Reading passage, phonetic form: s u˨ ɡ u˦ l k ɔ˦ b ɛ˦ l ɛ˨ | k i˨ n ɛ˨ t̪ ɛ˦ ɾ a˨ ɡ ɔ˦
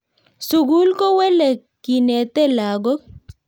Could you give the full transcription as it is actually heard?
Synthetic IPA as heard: s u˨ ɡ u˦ l k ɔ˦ w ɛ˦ l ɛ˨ | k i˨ n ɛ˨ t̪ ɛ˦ l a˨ ɡ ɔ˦